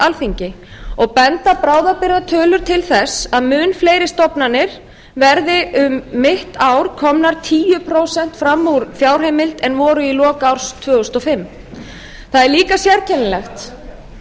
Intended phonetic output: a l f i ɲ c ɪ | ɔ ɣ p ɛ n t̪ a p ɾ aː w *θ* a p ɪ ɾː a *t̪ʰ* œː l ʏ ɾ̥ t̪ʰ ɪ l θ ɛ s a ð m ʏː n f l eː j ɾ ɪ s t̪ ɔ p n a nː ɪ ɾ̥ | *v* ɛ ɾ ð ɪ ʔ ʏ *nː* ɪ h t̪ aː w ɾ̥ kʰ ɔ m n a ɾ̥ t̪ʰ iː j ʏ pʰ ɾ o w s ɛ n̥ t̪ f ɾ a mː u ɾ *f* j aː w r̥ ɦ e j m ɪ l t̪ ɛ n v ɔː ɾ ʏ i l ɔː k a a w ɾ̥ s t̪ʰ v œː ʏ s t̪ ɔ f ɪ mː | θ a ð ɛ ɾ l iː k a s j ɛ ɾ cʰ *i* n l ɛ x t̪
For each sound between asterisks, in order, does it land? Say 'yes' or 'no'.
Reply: no, yes, yes, no, yes, no

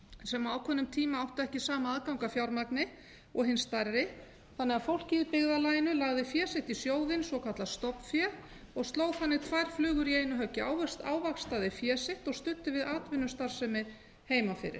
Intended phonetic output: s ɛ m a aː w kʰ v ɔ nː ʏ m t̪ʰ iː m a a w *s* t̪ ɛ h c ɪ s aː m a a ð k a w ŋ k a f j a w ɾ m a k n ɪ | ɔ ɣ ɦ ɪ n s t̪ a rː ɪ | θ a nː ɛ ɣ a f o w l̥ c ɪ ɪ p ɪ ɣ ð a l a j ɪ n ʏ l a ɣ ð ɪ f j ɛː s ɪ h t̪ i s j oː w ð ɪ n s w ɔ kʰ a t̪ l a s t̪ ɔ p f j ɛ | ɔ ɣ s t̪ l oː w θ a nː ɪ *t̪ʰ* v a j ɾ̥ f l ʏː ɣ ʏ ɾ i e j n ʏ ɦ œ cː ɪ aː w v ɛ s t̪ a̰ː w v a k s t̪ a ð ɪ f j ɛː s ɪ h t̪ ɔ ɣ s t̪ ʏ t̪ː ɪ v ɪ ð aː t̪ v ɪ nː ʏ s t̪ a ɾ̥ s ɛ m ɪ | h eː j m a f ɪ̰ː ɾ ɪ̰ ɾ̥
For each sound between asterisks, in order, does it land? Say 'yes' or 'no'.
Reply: no, yes

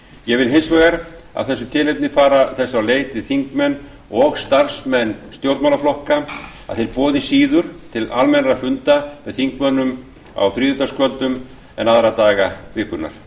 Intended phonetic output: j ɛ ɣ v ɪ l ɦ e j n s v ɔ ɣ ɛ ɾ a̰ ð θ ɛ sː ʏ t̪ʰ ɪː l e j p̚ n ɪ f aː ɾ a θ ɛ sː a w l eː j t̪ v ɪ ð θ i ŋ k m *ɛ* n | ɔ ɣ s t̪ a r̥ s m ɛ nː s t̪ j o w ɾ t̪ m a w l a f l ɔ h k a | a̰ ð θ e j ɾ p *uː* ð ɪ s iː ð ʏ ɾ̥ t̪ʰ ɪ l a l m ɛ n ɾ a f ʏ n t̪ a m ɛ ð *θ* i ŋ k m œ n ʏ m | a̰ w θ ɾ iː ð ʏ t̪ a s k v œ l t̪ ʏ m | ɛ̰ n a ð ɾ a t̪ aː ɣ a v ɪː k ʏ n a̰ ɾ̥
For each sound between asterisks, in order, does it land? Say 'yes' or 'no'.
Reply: yes, no, yes

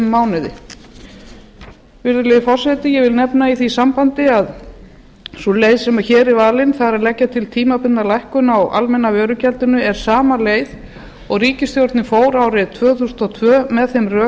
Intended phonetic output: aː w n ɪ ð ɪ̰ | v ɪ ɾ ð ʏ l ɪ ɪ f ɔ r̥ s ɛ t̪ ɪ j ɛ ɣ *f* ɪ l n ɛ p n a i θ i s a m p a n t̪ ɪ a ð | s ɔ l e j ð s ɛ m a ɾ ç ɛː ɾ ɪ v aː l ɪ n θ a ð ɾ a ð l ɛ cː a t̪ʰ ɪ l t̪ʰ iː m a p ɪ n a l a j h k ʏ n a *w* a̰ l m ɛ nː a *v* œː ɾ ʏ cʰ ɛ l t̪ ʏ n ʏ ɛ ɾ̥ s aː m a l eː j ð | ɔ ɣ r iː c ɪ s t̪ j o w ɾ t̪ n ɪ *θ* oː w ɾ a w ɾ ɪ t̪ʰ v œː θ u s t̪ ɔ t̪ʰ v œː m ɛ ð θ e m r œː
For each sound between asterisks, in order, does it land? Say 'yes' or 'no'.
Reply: no, yes, yes, no

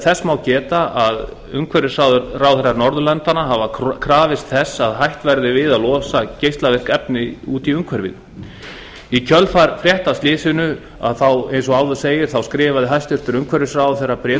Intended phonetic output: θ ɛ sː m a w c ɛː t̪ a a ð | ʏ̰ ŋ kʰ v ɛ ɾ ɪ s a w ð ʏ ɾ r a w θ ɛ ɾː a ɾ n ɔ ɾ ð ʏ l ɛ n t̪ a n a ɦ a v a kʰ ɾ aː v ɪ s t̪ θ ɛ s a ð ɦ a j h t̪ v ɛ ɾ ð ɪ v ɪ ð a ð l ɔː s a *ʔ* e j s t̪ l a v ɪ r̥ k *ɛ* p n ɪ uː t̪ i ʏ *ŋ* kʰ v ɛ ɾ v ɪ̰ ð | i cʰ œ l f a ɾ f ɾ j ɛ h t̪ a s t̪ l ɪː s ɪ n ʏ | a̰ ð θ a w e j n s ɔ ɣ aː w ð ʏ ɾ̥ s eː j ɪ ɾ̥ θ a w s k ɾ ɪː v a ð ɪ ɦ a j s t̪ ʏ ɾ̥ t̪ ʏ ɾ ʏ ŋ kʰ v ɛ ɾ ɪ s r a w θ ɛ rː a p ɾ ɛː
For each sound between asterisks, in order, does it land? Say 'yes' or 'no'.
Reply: no, yes, yes

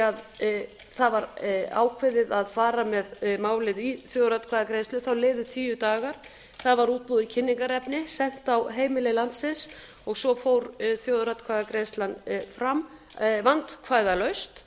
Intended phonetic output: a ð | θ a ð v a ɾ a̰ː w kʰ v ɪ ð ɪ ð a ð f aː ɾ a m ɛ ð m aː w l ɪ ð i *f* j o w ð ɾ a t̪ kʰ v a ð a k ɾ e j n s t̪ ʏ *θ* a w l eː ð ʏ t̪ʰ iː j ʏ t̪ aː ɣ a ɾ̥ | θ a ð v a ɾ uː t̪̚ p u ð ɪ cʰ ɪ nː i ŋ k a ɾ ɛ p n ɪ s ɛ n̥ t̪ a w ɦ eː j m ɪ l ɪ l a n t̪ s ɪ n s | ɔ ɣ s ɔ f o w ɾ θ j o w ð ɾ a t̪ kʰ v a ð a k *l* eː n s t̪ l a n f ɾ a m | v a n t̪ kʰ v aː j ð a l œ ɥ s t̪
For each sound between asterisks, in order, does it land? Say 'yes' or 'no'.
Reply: no, yes, no

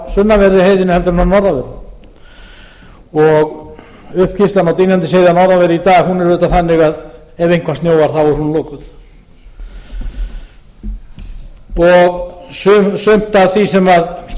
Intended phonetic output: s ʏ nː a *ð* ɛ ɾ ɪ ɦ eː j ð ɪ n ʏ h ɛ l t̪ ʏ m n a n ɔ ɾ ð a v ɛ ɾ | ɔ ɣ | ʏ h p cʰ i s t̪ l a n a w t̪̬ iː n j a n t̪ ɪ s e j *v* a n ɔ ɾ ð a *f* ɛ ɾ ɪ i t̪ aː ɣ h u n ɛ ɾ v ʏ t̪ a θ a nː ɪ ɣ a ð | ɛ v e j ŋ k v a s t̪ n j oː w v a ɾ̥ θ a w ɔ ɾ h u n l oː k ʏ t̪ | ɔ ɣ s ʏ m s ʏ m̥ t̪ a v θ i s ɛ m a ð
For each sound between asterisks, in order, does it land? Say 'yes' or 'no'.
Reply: no, no, no

